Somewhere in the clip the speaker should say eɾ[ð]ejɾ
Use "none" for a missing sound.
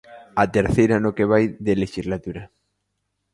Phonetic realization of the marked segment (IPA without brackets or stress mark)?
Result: θ